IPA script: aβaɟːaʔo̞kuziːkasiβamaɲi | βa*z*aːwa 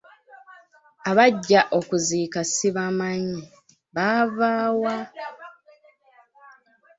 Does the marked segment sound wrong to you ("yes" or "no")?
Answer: yes